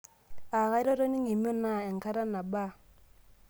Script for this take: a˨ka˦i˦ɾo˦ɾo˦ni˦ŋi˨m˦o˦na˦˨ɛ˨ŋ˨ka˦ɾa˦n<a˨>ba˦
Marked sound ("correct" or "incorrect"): correct